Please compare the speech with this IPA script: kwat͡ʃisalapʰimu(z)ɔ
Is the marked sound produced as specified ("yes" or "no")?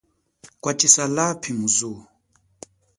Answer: yes